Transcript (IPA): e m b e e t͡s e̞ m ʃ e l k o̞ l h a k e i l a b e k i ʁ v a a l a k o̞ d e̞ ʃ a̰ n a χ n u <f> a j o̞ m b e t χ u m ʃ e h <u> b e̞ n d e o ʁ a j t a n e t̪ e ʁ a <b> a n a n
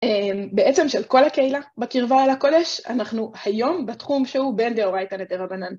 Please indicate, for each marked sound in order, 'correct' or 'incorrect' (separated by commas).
incorrect, correct, correct